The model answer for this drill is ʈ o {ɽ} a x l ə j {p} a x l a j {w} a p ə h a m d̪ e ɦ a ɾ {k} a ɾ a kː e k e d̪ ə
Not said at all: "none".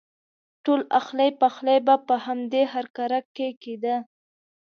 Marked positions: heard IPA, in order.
l, p, b, k

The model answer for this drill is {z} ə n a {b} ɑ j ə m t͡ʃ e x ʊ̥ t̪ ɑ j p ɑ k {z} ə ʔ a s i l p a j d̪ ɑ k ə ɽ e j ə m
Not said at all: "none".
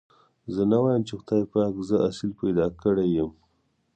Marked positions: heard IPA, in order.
z, w, z

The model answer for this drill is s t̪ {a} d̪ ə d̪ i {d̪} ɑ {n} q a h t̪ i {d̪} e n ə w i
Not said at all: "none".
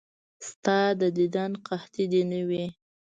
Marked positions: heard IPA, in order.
ɑ, d̪, n, d̪

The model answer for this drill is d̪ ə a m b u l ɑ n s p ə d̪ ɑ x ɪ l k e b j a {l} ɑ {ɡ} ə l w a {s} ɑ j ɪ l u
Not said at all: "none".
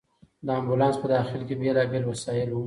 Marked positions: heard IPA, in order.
l, ɡ, s

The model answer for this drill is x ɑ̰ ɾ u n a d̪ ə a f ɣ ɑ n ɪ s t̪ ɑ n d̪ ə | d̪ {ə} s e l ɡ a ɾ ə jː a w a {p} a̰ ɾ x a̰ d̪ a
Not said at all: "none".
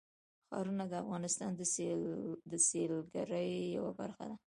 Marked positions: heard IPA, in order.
ə, b

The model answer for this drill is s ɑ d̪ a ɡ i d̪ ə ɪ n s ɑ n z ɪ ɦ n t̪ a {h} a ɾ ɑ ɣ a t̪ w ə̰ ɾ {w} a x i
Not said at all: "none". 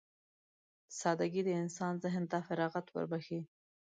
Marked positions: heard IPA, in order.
f, b

